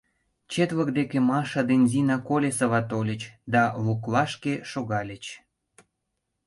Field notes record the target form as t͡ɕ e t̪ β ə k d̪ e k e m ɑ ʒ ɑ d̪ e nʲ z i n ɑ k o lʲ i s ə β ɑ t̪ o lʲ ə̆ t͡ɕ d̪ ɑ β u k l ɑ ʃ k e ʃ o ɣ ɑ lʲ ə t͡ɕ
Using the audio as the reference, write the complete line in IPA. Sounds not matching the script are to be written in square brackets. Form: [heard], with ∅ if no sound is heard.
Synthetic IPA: t͡ɕ e t̪ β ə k d̪ e k e m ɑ [ʃ] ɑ d̪ e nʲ z i n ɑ k o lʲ [e] s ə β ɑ t̪ o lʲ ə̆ t͡ɕ d̪ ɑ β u k l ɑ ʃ k e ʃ o ɣ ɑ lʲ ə t͡ɕ